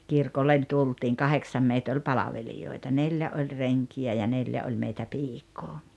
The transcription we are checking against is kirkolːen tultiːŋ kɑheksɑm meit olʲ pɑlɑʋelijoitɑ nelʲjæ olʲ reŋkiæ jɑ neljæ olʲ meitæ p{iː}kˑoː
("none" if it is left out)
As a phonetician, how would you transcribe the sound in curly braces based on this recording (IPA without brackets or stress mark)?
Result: iː